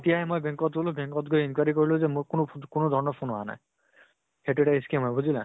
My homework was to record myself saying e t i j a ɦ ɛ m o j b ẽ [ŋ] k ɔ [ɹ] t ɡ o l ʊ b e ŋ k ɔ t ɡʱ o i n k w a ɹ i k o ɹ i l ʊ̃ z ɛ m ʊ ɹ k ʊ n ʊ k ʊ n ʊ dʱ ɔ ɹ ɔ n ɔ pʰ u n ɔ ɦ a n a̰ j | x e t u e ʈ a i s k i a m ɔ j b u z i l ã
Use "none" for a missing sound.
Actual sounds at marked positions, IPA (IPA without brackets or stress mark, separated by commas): ŋ, none